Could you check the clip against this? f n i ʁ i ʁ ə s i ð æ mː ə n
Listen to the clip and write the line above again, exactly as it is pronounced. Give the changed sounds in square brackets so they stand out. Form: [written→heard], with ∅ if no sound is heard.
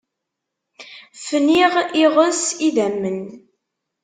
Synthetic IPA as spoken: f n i ʁ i ʁ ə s i ð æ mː ə n